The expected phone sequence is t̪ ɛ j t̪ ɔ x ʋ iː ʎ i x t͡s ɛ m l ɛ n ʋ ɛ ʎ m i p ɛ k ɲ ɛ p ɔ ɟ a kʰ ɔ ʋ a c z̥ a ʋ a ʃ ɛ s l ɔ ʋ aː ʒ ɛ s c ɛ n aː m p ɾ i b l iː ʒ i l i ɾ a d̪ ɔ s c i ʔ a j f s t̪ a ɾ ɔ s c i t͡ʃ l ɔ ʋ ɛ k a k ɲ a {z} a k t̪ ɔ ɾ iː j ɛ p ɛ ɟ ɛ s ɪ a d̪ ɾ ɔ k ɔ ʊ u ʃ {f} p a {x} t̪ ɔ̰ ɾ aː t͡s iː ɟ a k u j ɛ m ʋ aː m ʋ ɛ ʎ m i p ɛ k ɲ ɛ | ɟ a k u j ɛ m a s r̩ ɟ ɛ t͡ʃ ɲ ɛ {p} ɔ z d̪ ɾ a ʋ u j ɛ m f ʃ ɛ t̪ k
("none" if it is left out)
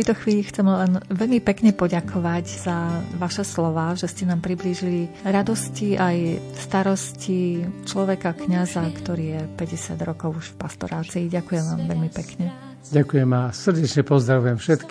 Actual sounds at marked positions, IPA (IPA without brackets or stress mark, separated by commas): z, f, s, p